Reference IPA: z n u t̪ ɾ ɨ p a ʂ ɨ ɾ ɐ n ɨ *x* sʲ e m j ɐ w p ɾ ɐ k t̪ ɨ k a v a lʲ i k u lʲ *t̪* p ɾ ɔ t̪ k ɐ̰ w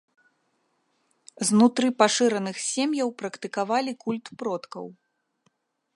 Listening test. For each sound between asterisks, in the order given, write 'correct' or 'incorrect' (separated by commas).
correct, correct